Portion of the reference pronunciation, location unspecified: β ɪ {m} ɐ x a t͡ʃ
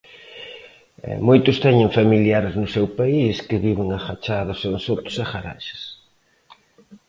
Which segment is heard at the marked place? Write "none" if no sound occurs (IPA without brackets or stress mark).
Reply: ŋ